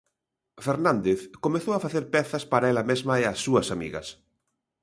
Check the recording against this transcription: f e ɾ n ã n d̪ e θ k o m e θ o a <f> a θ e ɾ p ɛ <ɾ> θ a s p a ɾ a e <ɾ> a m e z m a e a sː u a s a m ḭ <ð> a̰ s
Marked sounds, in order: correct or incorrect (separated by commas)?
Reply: correct, incorrect, incorrect, incorrect